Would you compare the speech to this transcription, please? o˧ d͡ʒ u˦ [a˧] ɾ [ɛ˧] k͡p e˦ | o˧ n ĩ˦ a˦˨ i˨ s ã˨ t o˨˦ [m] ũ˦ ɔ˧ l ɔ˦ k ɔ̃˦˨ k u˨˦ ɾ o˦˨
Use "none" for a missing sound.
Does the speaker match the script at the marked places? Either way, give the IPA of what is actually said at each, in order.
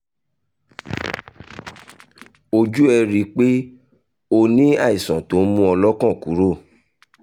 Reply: ɛ˧, i˧, m

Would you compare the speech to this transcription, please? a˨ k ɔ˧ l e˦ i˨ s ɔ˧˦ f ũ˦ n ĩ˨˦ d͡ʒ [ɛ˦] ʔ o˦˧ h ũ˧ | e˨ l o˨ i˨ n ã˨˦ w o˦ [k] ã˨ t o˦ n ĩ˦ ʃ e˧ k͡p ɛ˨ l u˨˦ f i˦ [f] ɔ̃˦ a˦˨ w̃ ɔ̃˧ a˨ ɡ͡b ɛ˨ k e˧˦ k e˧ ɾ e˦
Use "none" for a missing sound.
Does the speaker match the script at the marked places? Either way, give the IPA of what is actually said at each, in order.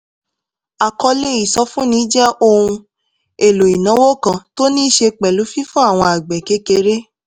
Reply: ɛ˦, k, f

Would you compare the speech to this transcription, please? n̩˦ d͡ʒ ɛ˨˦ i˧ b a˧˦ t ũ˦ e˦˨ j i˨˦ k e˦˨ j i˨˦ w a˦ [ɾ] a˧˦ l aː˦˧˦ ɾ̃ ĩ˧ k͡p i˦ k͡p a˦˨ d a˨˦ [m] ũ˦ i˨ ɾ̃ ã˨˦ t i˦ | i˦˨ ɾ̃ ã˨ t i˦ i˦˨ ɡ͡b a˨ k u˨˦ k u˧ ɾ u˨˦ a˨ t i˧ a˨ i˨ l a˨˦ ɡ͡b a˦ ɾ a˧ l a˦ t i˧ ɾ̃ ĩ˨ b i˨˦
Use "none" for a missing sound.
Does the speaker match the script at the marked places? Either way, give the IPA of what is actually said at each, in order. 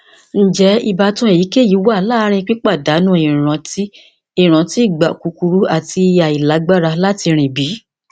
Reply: none, n

